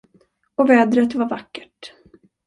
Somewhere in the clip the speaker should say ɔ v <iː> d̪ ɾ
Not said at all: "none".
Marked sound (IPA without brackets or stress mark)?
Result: ɛː